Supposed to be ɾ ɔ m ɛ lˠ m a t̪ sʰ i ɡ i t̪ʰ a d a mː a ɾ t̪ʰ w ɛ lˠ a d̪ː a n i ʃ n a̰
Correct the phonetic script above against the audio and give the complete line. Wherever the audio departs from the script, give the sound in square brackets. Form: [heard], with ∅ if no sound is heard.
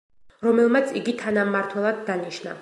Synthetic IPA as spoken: ɾ ɔ m ɛ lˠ m a t̪ sʰ i ɡ i t̪ʰ a [n] a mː a ɾ t̪ʰ w ɛ lˠ a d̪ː a n i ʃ n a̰